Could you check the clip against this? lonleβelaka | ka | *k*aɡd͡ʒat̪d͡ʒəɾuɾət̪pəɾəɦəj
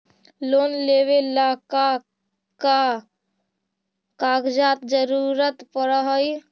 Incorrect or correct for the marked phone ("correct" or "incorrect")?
correct